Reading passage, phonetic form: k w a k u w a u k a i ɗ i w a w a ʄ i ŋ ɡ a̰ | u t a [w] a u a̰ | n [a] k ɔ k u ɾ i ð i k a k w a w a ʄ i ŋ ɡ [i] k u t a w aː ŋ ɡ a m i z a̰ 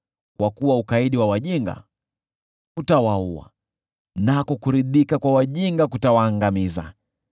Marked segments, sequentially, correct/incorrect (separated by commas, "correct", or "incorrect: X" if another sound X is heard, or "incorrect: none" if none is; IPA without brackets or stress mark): correct, correct, incorrect: a